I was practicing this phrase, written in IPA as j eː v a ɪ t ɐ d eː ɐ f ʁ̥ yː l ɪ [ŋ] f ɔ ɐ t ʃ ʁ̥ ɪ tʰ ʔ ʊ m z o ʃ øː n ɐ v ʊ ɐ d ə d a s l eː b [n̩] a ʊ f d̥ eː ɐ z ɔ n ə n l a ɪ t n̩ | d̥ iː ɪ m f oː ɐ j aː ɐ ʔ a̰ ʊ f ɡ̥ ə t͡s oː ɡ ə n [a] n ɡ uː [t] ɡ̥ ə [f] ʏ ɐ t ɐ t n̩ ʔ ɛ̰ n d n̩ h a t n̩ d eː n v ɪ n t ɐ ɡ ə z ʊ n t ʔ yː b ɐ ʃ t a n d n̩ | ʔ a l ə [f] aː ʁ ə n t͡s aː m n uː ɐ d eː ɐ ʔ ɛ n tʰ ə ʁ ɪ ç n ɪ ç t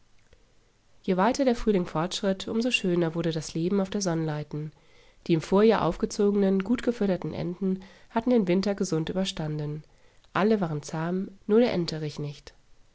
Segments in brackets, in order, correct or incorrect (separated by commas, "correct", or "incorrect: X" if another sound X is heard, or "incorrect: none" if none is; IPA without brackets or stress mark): correct, incorrect: m̩, incorrect: ə, correct, correct, incorrect: v